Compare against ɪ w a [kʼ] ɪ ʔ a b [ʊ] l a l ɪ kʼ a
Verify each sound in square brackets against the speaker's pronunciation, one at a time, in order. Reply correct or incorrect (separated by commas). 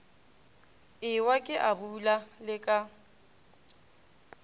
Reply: correct, incorrect